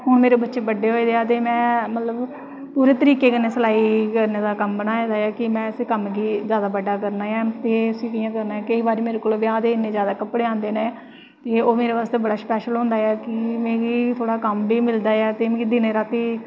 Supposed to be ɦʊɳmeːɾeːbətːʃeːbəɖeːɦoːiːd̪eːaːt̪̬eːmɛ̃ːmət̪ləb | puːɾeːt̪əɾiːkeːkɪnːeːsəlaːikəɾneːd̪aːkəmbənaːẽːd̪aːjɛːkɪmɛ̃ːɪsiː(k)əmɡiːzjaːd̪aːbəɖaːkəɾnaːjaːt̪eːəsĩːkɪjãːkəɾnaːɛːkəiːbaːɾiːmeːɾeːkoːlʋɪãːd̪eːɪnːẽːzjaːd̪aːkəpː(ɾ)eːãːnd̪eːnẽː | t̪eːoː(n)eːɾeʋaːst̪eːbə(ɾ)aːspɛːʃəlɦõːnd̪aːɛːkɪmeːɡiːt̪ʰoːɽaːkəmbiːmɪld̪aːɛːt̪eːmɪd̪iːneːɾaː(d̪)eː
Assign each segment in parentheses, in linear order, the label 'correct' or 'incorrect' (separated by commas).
correct, incorrect, incorrect, incorrect, incorrect